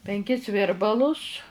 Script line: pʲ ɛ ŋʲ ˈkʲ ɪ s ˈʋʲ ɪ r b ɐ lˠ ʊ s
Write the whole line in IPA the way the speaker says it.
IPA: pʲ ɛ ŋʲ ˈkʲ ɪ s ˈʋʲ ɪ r b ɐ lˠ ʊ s

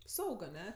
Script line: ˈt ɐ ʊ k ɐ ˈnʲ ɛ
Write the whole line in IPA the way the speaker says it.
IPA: ˈs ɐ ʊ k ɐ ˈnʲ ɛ

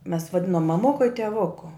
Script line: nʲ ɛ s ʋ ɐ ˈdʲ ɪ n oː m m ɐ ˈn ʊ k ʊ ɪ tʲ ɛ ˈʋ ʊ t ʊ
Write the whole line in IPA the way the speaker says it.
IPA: mʲ ɛ s ʋ ɐ ˈdʲ ɪ n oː m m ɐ ˈm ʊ k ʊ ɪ tʲ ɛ ˈʋ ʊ k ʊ

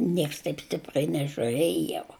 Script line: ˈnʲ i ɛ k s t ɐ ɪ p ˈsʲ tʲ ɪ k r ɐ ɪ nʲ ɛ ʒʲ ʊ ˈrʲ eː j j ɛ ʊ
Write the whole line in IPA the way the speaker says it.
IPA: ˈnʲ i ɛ k s t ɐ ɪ p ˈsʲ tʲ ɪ p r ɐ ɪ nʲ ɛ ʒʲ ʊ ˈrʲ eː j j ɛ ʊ

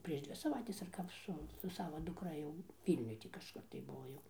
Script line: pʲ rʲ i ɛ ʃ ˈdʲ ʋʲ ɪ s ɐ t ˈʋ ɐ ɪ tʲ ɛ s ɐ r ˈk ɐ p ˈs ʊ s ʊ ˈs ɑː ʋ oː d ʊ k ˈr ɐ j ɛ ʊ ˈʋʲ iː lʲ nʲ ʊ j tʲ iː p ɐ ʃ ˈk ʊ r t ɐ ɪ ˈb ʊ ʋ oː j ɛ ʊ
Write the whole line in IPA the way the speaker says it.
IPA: pʲ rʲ i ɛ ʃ ˈdʲ ʋʲ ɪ s ɐ ˈʋ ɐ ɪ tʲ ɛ s ɐ r ˈk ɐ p ˈs ʊ s ʊ ˈs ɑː ʋ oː d ʊ k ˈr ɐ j ɛ ʊ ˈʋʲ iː lʲ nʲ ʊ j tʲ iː k ɐ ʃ ˈk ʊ r t ɐ ɪ ˈb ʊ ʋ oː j ɛ ʊ

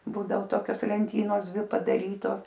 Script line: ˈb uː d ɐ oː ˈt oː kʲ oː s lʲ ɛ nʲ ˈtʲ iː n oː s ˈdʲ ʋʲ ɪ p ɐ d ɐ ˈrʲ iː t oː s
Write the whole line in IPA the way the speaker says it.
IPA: ˈb uː d ɐ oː ˈt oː kʲ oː s lʲ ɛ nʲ ˈtʲ iː n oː s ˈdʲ ʋʲ ɪ p ɐ d ɐ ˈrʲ iː t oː s

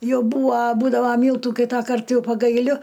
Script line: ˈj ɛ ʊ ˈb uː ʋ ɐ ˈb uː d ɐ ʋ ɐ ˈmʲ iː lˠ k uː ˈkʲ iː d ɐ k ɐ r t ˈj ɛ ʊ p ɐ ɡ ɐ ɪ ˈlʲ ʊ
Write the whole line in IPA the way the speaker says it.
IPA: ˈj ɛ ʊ ˈb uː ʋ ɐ ˈb uː d ɐ ʋ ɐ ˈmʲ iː lˠ t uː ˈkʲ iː t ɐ k ɐ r t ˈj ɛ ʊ p ɐ ɡ ɐ ɪ ˈlʲ ʊ

